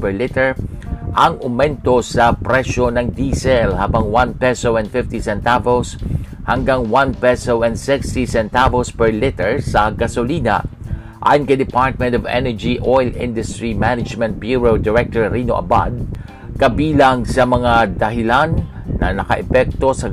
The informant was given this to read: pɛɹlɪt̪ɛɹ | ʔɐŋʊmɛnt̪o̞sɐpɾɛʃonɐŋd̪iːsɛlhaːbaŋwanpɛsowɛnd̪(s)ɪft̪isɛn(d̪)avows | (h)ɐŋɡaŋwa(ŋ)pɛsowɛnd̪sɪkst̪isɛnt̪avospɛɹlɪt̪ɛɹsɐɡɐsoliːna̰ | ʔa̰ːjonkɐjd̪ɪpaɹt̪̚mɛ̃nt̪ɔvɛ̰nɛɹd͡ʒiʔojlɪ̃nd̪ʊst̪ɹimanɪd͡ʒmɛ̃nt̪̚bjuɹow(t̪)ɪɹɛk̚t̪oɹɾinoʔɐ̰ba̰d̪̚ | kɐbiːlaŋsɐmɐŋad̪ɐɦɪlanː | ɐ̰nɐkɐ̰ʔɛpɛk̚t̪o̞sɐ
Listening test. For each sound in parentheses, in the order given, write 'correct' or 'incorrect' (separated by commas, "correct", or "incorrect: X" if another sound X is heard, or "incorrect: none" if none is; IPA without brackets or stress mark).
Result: incorrect: f, incorrect: t̪, correct, incorrect: n, incorrect: d̪